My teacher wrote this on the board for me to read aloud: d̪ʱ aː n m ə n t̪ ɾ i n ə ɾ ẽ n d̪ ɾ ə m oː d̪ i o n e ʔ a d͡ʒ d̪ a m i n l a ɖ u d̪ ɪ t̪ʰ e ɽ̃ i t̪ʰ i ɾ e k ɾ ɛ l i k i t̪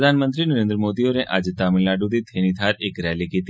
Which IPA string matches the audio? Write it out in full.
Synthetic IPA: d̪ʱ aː n m ə n t̪ ɾ i n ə ɾ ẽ n d̪ ɾ ə m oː d̪ i o n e ʔ a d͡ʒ t̪ a m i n l a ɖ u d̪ i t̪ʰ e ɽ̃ i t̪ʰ a ɾ e k ɾ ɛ l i k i t̪